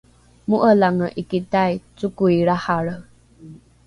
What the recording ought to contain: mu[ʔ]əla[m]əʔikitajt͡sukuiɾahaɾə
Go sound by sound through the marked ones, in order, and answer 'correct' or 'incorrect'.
correct, incorrect

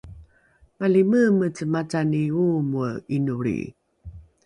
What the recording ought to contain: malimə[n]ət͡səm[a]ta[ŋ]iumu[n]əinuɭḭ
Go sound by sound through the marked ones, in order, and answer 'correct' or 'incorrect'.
incorrect, correct, incorrect, incorrect

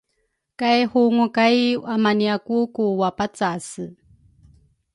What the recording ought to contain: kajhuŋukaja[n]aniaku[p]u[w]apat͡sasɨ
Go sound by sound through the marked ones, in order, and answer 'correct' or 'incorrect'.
incorrect, incorrect, correct

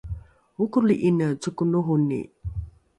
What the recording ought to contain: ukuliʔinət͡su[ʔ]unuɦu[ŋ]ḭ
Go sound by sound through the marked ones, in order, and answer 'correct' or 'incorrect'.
incorrect, incorrect

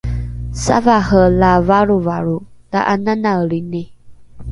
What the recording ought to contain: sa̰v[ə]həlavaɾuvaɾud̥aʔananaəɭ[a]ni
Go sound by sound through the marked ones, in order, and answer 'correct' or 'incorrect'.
incorrect, incorrect

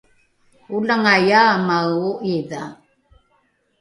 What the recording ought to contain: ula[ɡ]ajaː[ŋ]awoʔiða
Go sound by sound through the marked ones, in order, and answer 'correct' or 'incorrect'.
incorrect, incorrect

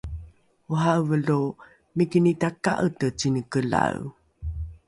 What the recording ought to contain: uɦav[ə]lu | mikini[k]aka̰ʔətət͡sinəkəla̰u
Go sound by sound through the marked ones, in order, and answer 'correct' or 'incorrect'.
correct, incorrect

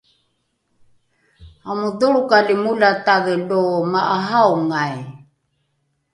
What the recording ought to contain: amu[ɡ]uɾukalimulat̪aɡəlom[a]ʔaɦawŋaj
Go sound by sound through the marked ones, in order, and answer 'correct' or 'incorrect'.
incorrect, correct

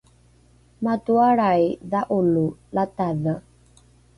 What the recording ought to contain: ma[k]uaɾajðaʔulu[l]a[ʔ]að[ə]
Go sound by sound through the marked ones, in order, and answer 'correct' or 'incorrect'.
incorrect, correct, incorrect, correct

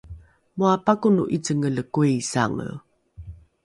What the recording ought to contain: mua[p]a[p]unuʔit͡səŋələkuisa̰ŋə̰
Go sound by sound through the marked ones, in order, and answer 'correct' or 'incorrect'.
correct, incorrect

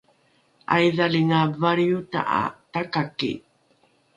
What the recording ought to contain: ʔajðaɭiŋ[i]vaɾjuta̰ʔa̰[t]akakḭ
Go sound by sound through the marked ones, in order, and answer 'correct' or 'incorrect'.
incorrect, correct

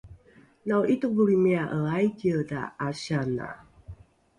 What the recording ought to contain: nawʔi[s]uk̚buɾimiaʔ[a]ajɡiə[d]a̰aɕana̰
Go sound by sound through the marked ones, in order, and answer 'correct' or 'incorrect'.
incorrect, incorrect, correct

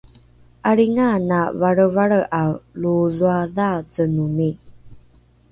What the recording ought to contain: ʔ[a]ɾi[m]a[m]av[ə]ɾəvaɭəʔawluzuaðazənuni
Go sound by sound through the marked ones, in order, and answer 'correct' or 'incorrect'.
correct, incorrect, incorrect, incorrect

